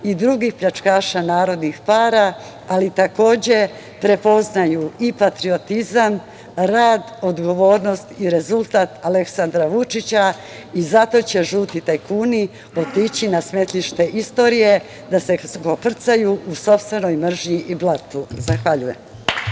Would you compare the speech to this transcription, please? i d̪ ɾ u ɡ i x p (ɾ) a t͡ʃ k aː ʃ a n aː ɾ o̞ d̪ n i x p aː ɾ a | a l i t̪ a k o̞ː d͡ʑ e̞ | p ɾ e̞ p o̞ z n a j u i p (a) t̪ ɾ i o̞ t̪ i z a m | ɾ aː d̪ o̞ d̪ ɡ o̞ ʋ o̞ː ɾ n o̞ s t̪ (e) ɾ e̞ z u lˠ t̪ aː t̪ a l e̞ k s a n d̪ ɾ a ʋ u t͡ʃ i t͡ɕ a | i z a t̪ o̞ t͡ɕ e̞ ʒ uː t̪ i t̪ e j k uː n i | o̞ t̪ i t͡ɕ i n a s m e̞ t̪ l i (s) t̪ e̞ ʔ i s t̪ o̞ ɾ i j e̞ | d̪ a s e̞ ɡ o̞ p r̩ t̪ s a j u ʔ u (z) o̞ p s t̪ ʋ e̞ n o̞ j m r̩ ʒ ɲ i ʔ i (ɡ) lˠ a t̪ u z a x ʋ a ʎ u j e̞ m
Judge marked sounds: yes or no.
no, yes, no, no, no, no

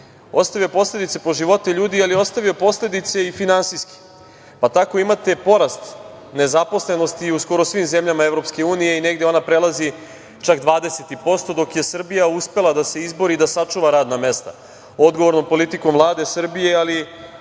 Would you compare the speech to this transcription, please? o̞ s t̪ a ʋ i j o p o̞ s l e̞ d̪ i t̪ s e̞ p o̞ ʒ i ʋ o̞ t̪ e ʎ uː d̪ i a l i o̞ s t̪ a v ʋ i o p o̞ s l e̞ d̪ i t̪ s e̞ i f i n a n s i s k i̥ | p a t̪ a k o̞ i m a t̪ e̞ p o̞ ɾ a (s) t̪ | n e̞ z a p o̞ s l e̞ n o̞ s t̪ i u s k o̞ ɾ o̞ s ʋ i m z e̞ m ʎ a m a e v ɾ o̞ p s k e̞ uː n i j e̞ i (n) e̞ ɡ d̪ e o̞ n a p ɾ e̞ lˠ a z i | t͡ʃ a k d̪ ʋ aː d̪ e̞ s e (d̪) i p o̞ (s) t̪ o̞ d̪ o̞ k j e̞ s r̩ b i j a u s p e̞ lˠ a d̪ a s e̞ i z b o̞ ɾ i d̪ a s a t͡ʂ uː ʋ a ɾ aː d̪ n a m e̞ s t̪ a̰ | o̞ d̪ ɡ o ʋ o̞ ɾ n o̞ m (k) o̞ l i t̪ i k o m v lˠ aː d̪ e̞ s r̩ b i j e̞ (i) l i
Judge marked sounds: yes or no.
yes, yes, no, yes, no, no

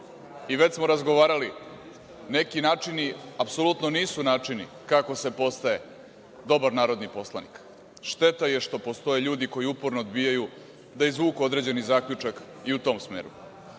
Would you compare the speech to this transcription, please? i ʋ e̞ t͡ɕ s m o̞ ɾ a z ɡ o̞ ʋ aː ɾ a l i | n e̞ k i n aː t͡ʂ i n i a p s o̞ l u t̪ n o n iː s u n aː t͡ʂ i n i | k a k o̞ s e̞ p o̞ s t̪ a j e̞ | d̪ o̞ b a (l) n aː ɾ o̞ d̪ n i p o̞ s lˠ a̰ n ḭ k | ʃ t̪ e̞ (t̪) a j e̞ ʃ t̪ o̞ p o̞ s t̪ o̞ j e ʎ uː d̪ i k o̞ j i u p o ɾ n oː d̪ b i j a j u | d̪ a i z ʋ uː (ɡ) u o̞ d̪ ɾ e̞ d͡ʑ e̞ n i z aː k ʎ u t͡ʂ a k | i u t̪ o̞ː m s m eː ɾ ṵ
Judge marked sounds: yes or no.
no, yes, no

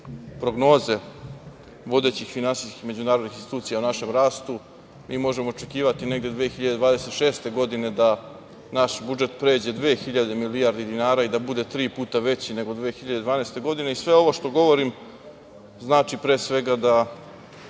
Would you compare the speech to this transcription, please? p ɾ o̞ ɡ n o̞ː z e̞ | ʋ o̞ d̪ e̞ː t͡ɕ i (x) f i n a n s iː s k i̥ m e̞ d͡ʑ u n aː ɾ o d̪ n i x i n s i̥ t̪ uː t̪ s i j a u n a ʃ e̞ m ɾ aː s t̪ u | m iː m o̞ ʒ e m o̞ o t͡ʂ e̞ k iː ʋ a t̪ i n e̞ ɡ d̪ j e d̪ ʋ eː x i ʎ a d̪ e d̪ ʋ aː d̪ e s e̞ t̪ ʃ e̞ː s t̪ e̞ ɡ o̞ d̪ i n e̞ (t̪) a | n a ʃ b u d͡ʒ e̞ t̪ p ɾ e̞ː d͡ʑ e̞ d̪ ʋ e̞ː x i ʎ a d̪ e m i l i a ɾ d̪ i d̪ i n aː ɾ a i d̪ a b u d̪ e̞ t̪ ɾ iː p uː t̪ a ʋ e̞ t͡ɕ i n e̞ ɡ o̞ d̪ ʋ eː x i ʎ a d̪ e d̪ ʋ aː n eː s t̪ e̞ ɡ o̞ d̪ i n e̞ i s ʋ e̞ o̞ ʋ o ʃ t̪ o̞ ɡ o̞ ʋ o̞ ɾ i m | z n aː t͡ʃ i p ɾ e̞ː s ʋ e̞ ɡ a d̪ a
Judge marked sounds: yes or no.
yes, no

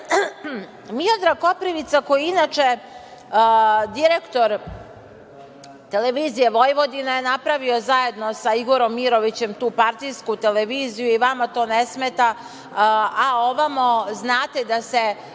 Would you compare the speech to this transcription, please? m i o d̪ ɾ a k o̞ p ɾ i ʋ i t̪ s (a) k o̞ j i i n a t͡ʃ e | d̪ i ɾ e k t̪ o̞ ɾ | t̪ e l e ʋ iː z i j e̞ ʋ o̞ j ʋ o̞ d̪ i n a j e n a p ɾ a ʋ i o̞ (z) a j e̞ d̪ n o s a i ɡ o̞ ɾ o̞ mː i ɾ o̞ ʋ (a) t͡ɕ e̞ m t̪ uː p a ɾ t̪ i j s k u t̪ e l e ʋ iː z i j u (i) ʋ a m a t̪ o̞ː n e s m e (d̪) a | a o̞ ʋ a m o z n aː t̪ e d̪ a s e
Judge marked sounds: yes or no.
yes, yes, no, yes, no

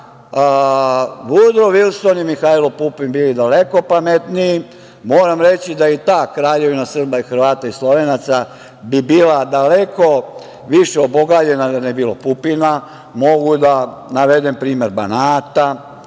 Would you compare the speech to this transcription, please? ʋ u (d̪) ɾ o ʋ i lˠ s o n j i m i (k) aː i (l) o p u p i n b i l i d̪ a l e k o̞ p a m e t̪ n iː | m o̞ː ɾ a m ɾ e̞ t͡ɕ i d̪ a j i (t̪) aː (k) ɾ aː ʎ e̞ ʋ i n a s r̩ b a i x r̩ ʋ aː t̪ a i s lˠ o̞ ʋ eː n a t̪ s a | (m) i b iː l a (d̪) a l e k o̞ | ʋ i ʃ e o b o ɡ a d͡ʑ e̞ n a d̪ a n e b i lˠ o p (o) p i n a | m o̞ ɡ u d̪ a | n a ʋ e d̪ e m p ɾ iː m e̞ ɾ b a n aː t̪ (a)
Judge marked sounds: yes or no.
yes, no, yes, yes, yes, no, yes, no, yes

